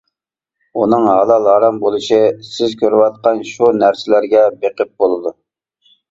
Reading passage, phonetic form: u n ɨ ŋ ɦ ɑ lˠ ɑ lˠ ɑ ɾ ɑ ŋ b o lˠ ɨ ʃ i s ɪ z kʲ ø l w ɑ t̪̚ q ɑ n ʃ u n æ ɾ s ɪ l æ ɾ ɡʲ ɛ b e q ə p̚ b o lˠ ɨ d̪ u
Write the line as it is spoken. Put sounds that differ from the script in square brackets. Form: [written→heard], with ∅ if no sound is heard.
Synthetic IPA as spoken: u n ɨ ŋ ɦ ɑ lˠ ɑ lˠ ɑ ɾ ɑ [ŋ→m] b o lˠ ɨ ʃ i s ɪ z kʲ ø [l→ɾ] w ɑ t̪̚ q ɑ n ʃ u n æ ɾ s ɪ l æ ɾ ɡʲ ɛ b e q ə p̚ b o lˠ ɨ d̪ u